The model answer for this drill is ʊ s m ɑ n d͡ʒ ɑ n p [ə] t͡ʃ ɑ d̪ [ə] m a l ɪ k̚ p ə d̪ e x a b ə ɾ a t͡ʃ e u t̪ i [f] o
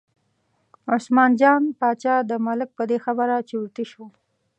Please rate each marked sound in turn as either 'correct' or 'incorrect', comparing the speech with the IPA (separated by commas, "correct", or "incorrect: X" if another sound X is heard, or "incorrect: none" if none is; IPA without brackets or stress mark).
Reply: incorrect: ɑ, correct, incorrect: ʃ